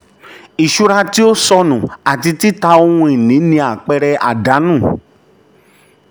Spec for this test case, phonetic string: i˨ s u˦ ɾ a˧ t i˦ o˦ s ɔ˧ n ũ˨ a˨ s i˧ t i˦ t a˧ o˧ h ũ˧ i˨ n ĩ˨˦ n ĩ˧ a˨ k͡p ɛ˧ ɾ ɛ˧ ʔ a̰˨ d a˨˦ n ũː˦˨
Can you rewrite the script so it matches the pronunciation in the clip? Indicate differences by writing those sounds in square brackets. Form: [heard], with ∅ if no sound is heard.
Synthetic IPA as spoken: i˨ [ʃ] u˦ ɾ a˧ t i˦ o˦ s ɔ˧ n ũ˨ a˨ [t] i˧ t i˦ t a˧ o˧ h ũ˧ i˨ n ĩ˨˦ n ĩ˧ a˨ k͡p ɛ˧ ɾ ɛ˧ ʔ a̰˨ d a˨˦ n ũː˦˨